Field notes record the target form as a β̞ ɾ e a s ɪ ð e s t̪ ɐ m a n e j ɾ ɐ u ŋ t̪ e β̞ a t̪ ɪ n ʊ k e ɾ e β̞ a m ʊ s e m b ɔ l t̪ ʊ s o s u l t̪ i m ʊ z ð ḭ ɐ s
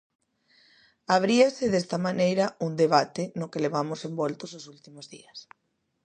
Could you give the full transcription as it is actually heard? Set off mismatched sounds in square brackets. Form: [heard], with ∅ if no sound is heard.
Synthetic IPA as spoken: a β̞ ɾ [i] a s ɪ ð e s t̪ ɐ m a n e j ɾ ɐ u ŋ [d̪] e β̞ a t̪ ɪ n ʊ k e [l] e β̞ a m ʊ s e m b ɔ l t̪ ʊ s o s u l t̪ i m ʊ z ð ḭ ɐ s

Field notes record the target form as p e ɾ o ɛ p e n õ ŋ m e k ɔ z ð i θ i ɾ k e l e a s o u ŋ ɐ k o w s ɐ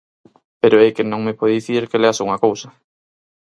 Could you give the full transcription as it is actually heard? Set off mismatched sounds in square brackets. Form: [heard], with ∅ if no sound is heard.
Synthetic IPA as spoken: p e ɾ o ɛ [k] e n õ ŋ m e [p] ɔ [ð] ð i θ i ɾ k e l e a s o u ŋ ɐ k o w s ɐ

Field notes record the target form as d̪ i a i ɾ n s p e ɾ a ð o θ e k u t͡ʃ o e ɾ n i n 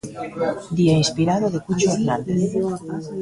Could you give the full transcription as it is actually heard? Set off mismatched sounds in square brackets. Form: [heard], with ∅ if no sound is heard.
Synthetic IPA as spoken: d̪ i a i [∅] n s p [i] ɾ a ð o [ð] e k u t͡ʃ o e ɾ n [a] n

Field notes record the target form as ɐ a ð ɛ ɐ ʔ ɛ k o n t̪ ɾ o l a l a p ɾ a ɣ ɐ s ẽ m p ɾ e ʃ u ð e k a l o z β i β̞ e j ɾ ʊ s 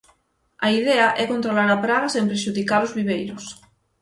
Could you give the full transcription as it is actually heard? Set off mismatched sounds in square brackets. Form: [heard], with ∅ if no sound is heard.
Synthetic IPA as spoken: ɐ [i] ð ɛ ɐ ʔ ɛ k o n t̪ ɾ o l a [ɾ] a p ɾ a ɣ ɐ s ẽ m p ɾ e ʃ u ð [i] k a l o z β i β̞ e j ɾ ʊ s

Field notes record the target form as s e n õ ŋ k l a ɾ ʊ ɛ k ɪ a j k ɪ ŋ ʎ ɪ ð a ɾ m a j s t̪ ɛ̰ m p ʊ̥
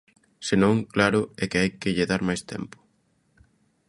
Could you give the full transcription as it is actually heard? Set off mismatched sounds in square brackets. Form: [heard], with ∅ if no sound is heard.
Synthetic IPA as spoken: s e n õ ŋ k l a ɾ ʊ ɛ k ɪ a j k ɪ [∅] ʎ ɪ ð a ɾ m a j s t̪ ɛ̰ m p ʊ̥

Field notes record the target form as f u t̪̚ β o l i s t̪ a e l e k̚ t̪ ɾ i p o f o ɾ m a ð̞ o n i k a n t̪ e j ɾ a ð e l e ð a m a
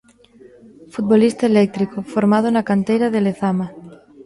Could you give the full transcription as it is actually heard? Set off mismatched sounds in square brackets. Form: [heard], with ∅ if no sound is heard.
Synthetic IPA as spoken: f u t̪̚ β o l i s t̪ a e l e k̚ t̪ ɾ i [k] o f o ɾ m a ð̞ o n [a] k a n t̪ e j ɾ a ð e l e [θ] a m a

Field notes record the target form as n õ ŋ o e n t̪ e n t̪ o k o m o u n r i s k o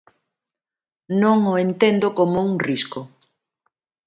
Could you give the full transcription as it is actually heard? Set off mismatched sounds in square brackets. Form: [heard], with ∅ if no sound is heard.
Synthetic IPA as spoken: n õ ŋ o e n t̪ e n [d̪] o k o m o u [ŋ] r i s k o

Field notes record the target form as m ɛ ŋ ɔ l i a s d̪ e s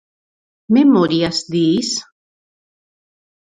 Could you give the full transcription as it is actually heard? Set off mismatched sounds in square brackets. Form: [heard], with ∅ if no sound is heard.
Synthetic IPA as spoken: m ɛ [m] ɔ [ɾ] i a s d̪ [i] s

